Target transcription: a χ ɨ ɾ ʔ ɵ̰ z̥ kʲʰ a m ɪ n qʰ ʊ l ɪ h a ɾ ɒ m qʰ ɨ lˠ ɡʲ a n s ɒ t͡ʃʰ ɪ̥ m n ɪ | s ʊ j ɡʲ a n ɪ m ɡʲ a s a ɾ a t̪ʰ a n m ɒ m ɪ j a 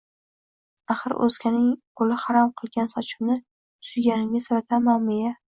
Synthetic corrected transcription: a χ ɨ ɾ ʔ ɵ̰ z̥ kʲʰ a n ɪ ŋ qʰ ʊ l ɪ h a ɾ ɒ m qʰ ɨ lˠ ɡʲ a n s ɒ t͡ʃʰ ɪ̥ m n ɪ | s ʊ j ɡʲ a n ɪ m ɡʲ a s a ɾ a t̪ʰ a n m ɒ m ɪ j a